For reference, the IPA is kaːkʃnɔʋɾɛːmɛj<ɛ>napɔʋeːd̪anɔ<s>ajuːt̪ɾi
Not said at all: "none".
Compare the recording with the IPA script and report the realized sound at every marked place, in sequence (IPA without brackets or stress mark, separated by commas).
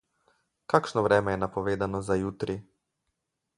ɛ, z